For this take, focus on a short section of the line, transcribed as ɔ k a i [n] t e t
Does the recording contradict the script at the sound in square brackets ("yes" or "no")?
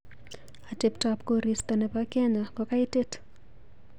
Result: yes